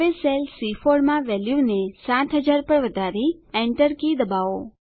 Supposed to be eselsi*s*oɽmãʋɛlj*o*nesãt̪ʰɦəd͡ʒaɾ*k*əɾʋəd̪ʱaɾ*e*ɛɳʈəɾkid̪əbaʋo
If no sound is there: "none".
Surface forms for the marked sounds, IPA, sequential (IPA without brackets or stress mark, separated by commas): f, u, p, i